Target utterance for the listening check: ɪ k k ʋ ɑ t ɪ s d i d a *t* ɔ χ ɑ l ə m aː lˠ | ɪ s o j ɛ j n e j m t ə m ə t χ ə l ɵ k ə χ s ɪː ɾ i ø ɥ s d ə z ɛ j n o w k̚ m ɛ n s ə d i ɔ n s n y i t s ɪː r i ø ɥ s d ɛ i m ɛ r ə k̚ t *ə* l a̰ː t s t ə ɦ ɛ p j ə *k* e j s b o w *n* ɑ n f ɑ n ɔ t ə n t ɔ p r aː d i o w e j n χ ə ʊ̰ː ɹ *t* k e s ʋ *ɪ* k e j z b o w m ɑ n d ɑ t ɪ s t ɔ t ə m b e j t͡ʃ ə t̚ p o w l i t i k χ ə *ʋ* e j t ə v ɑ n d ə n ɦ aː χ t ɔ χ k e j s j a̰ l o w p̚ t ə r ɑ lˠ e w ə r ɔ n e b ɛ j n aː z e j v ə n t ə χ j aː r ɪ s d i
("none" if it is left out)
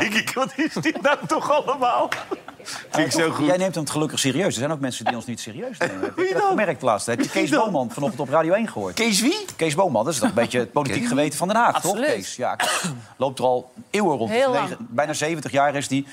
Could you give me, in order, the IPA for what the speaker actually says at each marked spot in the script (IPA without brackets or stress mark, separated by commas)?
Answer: t, ə, k, m, t, i, ʋ